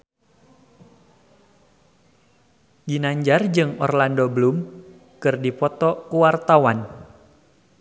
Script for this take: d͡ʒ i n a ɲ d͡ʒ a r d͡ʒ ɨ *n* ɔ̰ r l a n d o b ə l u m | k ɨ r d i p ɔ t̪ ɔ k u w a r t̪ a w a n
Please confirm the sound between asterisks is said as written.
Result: no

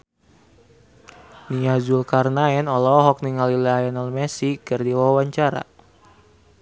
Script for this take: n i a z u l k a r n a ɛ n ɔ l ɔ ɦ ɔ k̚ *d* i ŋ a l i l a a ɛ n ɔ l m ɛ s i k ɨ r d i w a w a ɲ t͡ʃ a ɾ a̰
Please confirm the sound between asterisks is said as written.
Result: no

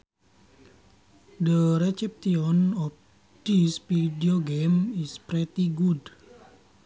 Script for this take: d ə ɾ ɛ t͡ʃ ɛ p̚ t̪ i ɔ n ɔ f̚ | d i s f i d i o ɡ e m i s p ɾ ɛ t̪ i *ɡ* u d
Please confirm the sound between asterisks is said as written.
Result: yes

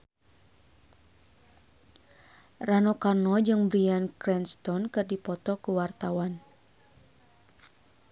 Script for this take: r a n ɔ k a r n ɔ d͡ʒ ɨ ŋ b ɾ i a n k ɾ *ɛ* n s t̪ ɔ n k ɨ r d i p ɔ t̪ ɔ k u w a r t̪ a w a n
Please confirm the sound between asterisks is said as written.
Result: yes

